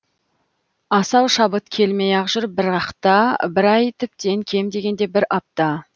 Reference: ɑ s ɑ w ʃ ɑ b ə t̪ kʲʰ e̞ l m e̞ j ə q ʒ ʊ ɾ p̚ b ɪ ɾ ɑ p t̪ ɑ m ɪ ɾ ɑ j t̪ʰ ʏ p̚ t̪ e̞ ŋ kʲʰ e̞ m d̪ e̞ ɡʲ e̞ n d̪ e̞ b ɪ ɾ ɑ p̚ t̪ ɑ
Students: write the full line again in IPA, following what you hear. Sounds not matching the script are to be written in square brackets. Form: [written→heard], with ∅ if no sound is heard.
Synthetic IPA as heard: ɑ s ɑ w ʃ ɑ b ə t̪ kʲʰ e̞ l m e̞ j [ə→ɑ] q ʒ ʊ ɾ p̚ b ɪ ɾ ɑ [p→q] t̪ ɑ [m→b] ɪ ɾ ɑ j t̪ʰ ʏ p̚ t̪ e̞ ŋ kʲʰ e̞ m d̪ e̞ ɡʲ e̞ n d̪ e̞ b ɪ ɾ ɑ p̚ t̪ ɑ